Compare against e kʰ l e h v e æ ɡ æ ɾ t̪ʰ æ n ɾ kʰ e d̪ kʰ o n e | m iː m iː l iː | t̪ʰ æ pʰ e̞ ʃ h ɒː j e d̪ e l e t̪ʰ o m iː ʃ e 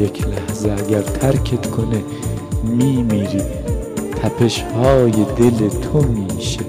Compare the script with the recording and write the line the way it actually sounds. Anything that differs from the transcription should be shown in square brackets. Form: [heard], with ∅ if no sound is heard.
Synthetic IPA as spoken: e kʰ l [æ] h [z] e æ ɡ æ ɾ t̪ʰ æ [∅] ɾ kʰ e [t̪] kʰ o n e | m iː m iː [ɾ] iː | t̪ʰ æ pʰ e̞ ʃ h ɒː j e d̪ e l e t̪ʰ o m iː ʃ e